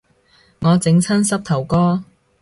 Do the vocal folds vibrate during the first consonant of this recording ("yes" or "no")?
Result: yes